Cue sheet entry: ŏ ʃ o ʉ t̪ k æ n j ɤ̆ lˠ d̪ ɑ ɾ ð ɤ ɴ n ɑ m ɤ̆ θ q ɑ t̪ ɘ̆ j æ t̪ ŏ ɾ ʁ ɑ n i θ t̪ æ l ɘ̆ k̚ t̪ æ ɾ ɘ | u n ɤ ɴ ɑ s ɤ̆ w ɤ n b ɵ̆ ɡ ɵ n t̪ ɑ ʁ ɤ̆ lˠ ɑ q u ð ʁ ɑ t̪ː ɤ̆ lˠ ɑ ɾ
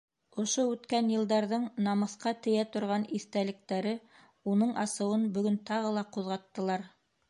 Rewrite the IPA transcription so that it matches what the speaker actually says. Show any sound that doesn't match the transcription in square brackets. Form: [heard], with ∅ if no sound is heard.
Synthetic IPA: ŏ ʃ o ʉ t̪ k æ n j ɤ̆ lˠ d̪ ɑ ɾ ð ɤ ɴ n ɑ m ɤ̆ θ q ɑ t̪ ɘ̆ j æ t̪ ŏ ɾ ʁ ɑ n i θ t̪ æ l ɘ̆ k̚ t̪ æ ɾ ɘ | u n ɤ ɴ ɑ s ɤ̆ w ɤ n b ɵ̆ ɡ ɵ n t̪ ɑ ʁ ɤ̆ lˠ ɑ q u ð ʁ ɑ t̪ː ɤ̆ lˠ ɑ ɾ